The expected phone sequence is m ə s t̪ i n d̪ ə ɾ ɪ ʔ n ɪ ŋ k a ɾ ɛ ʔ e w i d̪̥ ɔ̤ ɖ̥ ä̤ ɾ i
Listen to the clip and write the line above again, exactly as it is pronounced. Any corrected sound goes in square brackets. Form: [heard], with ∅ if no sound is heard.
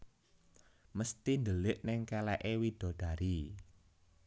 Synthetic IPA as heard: m ə s t̪ i n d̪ ə [l] ɪ ʔ n ɪ ŋ k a [l] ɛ ʔ e w i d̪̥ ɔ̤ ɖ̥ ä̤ ɾ i

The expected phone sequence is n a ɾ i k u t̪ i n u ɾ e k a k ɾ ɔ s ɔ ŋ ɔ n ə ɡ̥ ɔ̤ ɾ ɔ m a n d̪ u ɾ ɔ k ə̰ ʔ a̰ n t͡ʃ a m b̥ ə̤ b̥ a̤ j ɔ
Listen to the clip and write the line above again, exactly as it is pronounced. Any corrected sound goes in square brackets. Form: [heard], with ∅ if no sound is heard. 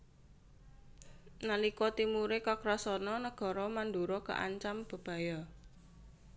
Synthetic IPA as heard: n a [l] i k [ɔ] t̪ i [m] u ɾ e k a k ɾ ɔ s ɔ [n] ɔ n ə ɡ̥ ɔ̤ ɾ ɔ m a n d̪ u ɾ ɔ k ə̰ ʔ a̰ [ɲ] t͡ʃ a m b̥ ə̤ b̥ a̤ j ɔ

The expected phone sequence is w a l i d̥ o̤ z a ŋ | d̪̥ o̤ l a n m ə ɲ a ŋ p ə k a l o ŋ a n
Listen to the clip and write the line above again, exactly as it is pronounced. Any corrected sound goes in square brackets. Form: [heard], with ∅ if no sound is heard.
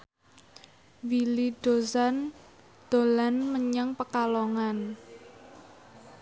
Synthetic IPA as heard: w [i] l i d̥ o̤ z a [n] | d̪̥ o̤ l a n m ə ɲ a ŋ p ə k a l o ŋ a n

